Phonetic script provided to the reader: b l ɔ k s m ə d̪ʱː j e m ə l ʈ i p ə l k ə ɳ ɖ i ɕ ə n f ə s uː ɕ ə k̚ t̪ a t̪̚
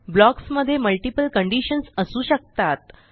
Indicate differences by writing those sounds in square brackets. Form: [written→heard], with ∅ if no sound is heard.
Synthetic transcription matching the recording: b l ɔ k s m ə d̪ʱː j e m ə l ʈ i p ə l k ə ɳ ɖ i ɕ ə n [f→s] ə s uː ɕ ə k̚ t̪ a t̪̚